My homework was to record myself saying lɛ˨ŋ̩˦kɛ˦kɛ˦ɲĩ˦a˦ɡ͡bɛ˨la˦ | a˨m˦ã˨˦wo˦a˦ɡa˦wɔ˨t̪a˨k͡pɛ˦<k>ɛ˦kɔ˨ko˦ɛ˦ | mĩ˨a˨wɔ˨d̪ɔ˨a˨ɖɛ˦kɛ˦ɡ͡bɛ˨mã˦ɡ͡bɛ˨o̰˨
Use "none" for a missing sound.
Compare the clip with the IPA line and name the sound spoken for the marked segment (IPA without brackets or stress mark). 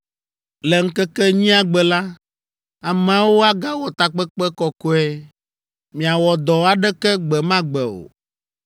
k͡p